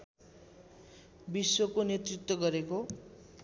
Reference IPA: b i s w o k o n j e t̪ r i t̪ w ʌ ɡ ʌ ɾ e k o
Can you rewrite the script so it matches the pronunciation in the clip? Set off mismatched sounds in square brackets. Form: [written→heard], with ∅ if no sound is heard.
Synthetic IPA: b i s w o k o n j e t̪ r i t̪ w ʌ ɡ ʌ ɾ e k o